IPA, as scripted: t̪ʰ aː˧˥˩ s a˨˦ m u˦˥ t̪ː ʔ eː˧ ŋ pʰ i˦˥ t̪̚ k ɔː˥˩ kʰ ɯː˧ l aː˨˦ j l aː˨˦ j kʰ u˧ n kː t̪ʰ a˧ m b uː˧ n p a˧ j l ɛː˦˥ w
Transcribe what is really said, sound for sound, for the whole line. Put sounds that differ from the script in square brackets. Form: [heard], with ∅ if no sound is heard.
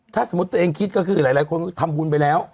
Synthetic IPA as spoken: t̪ʰ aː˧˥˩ s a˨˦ m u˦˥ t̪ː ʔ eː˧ ŋ [kʰ] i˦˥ t̪̚ k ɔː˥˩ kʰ ɯː˧ l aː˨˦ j l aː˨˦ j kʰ [o˧] n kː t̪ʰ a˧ m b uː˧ n p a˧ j l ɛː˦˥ w